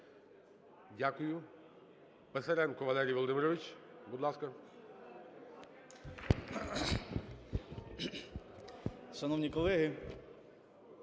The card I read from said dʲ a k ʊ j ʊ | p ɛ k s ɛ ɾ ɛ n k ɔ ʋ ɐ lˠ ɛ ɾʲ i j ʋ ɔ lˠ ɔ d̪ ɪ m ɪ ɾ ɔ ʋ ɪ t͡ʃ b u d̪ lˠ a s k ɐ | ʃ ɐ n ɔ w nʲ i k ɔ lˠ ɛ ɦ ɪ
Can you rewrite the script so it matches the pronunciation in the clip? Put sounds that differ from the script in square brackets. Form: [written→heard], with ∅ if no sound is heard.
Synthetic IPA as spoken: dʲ a k ʊ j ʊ | p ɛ [k→∅] s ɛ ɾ ɛ n k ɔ ʋ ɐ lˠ ɛ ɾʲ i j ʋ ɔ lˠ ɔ d̪ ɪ m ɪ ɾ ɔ ʋ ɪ t͡ʃ b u d̪ lˠ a s k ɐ | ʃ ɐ n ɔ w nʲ i k ɔ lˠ ɛ ɦ ɪ